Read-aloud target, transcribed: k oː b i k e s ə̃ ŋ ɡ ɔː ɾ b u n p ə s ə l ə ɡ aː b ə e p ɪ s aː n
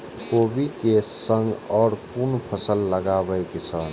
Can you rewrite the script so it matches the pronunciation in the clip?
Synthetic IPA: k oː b i k e s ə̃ ŋ ɡ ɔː ɾ p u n pʰ ə s ə lː ə ɡ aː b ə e k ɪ s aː n